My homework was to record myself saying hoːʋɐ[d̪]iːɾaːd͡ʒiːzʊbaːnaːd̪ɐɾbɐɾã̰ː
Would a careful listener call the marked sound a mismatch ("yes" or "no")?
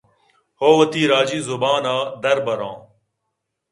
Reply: yes